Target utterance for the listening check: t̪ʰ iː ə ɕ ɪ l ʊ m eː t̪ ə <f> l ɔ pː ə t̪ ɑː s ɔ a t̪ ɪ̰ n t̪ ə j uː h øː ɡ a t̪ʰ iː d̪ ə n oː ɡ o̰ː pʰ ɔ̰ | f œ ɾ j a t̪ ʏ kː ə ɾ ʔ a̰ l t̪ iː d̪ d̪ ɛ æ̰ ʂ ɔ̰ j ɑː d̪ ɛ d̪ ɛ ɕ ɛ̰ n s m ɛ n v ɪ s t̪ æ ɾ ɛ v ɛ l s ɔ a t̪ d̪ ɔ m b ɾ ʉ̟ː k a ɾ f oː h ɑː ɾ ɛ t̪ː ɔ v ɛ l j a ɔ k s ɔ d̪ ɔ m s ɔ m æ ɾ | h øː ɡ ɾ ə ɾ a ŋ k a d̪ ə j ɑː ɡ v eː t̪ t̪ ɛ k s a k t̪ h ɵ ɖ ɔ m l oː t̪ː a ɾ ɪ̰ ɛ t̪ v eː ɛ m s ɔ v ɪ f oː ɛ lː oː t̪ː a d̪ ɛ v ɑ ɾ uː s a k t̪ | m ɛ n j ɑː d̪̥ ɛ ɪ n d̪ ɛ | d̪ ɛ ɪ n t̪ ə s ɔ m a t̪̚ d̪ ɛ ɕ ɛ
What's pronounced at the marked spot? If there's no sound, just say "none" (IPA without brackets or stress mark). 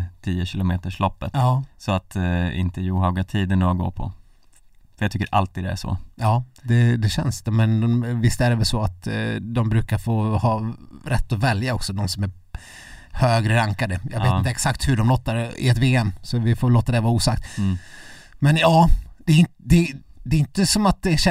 ʂ